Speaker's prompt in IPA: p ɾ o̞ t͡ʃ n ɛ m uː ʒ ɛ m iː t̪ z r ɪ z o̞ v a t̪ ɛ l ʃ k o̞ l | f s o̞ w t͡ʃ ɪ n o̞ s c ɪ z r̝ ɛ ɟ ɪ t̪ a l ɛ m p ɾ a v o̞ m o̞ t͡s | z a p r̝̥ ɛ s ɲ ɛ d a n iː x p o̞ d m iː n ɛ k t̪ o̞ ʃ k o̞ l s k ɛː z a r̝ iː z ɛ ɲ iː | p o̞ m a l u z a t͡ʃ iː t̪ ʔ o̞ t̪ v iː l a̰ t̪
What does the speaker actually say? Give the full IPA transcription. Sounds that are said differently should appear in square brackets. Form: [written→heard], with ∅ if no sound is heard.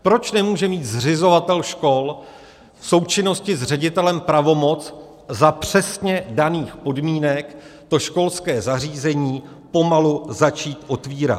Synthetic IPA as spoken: p ɾ o̞ t͡ʃ n ɛ m uː ʒ ɛ m iː t̪ z r ɪ z o̞ v a t̪ ɛ l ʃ k o̞ l | f s o̞ w t͡ʃ ɪ n o̞ s c ɪ z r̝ ɛ ɟ ɪ t̪ [a→ɛ] l ɛ m p ɾ a v o̞ m o̞ t͡s | z a p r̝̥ ɛ s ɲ ɛ d a n iː x p o̞ d m iː n ɛ k t̪ o̞ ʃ k o̞ l s k ɛː z a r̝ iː z ɛ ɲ iː | p o̞ m a l u z a t͡ʃ iː t̪ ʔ o̞ t̪ v iː [l→ɾ] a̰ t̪